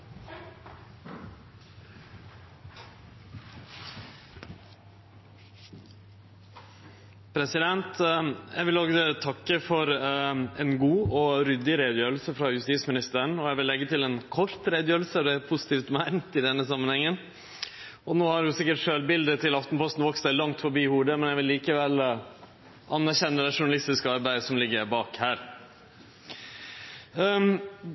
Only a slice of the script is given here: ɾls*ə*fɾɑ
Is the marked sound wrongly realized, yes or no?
no